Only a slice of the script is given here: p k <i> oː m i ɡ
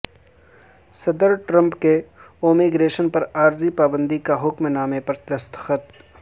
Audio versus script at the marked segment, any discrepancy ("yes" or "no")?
yes